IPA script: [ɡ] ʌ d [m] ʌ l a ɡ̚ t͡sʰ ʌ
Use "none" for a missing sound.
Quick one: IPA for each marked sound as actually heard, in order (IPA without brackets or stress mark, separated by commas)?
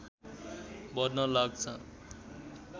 b, n